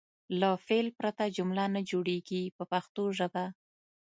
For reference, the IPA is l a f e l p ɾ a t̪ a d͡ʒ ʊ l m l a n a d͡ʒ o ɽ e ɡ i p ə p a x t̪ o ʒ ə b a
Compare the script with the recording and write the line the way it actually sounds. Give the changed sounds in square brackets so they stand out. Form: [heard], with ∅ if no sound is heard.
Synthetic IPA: l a f e l p ɾ a t̪ a d͡ʒ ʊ [∅] m l a n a d͡ʒ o ɽ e ɡ i p ə p a x t̪ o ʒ ə b a